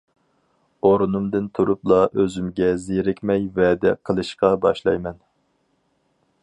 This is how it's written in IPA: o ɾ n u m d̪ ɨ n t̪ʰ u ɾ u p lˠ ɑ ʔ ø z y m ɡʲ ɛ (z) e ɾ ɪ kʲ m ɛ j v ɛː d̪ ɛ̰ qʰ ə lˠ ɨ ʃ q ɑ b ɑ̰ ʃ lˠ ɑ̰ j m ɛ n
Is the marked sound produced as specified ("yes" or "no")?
yes